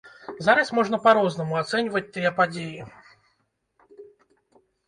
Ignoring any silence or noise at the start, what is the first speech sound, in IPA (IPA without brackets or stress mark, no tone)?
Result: z